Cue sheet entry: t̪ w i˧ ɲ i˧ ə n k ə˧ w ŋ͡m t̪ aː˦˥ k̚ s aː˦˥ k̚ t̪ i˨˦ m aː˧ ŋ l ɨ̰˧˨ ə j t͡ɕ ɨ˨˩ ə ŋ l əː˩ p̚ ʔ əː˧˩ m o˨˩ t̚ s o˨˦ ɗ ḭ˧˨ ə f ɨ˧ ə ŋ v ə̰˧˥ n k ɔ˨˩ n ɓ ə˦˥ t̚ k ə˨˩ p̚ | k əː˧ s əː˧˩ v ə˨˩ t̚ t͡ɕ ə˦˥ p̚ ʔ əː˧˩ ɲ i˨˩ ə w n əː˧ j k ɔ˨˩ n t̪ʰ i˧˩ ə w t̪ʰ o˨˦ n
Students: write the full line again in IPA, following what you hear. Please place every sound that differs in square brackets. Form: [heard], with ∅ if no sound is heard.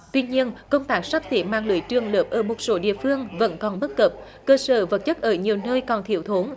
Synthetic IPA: t̪ w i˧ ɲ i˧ ə n k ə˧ w ŋ͡m t̪ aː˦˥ k̚ s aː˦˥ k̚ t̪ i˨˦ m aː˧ ŋ l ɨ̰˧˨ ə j t͡ɕ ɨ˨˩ ə ŋ l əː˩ p̚ ʔ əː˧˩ m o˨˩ t̚ s o˨˦ ɗ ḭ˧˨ ə f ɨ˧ ə ŋ v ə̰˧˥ n k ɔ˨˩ n ɓ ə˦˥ t̚ k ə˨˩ p̚ | k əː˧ s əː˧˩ v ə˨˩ t̚ t͡ɕ ə˦˥ [t̚] ʔ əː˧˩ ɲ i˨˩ ə w n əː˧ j k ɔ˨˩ n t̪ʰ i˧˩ ə w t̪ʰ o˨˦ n

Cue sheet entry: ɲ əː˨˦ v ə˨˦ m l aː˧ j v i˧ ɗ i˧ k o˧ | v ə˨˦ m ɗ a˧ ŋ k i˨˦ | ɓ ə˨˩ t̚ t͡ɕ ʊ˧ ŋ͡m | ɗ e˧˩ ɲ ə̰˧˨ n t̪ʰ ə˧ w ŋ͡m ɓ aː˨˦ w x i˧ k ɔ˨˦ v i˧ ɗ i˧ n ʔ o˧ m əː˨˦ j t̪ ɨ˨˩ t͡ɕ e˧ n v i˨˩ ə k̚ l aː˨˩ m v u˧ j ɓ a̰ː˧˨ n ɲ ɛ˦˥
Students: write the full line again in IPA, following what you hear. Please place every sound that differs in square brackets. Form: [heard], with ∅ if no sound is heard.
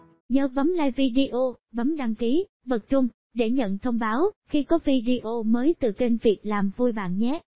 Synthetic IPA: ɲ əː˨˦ v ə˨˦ m l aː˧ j v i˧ ɗ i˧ [ʔ] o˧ | v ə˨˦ m ɗ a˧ ŋ k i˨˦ | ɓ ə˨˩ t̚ t͡ɕ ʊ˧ ŋ͡m | ɗ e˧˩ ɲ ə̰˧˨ n t̪ʰ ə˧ w ŋ͡m ɓ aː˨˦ w x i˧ k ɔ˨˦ v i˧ ɗ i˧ [∅] ʔ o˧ m əː˨˦ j t̪ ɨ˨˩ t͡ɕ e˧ n v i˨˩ ə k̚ l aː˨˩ m v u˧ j ɓ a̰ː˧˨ n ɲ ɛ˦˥

